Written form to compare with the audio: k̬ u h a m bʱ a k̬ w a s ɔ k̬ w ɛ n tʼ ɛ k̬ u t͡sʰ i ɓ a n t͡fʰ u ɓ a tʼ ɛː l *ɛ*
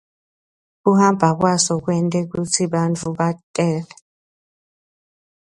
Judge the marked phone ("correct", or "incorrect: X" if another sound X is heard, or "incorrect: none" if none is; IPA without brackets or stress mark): correct